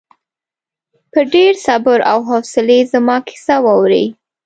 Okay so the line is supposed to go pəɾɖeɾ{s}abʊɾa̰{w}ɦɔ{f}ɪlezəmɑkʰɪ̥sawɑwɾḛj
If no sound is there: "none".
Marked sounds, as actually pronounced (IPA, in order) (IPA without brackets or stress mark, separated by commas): s, w, s